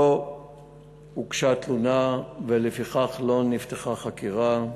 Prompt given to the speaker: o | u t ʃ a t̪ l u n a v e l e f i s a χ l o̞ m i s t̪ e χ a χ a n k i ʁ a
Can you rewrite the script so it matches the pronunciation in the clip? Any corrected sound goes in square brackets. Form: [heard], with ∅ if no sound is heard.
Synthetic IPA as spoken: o | u [k] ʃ a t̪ l u n a v e l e f i [χ] a χ l o̞ [n] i [f] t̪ e χ a χ a [∅] k i ʁ a